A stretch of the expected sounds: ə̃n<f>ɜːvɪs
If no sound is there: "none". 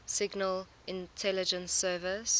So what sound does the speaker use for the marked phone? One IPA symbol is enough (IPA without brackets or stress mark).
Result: s